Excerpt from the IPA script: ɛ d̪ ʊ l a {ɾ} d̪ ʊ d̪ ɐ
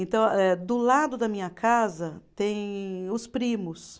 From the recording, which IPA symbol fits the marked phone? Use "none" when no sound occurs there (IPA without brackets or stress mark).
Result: none